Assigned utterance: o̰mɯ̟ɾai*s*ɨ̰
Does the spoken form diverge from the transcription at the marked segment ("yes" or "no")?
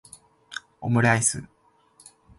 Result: no